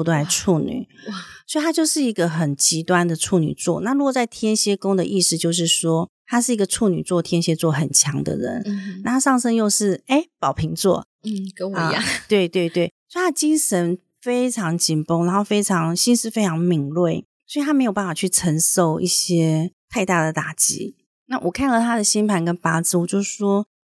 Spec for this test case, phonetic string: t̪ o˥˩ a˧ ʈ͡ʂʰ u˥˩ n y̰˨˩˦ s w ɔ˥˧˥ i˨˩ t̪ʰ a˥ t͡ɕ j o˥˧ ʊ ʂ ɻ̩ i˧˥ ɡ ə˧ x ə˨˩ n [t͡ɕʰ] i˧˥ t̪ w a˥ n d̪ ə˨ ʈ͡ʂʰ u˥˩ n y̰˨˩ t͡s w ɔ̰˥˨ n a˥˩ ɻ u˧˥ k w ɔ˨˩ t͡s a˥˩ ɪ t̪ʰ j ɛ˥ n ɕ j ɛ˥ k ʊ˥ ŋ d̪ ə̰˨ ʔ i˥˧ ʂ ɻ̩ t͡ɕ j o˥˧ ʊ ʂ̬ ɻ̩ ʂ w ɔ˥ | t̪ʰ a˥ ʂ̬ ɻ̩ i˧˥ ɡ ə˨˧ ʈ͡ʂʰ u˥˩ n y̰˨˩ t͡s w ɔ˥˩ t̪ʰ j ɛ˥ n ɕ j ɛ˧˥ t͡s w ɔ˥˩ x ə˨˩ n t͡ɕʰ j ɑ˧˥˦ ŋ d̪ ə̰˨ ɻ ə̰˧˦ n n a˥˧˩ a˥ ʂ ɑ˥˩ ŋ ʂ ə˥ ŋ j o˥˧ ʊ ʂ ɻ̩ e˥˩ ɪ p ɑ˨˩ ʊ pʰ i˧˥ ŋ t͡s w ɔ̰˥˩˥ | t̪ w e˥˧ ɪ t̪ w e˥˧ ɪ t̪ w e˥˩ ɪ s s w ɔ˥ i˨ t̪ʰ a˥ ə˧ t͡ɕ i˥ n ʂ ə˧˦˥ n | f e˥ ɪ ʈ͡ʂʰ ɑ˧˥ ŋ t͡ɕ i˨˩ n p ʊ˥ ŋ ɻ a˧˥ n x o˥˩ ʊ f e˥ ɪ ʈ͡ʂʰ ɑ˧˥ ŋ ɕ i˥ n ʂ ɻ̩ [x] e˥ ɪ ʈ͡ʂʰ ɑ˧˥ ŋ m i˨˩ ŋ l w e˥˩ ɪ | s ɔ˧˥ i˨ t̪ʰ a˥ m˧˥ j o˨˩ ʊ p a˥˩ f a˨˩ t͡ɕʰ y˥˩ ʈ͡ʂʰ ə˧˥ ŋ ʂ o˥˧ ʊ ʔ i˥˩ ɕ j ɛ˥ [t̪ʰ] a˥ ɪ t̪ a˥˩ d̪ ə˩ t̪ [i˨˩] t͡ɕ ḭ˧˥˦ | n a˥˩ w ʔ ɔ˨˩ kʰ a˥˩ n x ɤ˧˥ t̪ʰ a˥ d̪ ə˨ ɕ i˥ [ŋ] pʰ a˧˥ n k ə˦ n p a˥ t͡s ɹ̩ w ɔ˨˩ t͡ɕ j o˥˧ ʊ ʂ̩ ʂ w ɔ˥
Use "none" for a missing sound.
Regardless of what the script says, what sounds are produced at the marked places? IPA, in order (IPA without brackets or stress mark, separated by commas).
t͡ɕ, f, t̪ʰ, a˨˩, n